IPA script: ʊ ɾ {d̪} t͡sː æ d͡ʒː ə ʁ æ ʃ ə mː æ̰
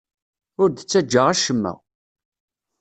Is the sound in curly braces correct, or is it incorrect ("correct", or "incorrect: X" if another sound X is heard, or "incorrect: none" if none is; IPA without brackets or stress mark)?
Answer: correct